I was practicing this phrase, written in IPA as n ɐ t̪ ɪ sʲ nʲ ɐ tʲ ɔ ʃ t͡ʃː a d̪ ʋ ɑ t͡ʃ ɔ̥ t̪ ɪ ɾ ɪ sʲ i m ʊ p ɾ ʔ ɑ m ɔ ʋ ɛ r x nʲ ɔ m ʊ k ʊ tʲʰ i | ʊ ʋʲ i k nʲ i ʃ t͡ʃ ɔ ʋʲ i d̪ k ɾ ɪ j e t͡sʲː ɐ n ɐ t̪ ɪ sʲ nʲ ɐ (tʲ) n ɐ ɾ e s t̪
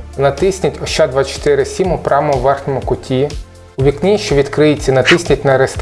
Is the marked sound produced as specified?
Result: yes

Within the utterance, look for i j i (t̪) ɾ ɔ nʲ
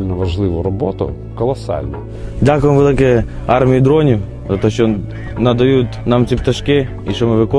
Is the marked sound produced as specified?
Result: no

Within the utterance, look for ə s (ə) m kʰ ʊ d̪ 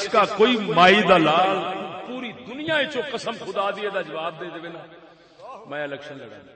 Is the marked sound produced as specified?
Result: yes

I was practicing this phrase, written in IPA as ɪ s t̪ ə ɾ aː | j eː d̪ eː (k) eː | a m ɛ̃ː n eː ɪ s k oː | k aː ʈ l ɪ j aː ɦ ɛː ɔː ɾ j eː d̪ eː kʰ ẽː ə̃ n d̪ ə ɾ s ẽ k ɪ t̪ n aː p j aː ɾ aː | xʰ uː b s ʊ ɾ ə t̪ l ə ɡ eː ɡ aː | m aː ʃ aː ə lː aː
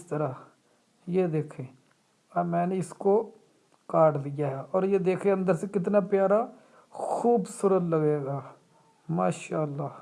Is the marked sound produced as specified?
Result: no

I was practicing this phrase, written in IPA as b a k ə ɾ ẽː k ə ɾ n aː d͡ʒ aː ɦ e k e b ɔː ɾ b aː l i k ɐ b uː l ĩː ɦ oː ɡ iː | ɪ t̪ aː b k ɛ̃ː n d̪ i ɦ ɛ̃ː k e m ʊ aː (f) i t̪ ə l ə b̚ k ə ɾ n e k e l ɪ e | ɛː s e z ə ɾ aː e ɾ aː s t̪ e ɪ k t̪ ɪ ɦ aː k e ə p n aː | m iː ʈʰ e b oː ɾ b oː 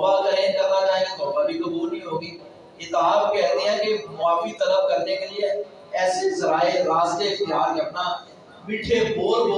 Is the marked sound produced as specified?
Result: yes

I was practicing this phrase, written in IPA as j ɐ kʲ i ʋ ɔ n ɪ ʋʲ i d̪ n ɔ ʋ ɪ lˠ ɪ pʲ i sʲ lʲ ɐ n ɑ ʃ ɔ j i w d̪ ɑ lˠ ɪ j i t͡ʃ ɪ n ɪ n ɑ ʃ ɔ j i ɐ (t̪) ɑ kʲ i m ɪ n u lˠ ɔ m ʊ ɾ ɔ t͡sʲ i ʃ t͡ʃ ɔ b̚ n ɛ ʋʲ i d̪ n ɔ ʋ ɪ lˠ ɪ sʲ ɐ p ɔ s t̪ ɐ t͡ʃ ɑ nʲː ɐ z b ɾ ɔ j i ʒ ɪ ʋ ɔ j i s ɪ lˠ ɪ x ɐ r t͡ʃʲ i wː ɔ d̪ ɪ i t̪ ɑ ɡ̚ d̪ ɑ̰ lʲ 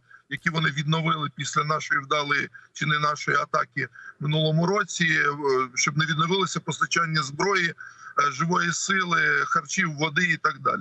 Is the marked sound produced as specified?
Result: yes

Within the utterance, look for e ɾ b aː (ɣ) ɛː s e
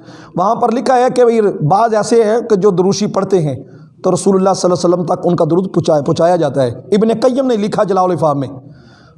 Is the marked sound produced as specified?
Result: no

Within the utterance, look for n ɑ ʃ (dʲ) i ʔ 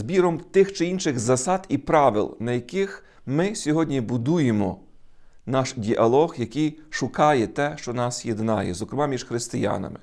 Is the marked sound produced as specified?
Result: yes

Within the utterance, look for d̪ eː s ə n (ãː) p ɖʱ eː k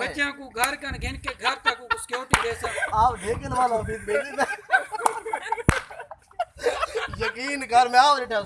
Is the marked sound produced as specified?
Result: no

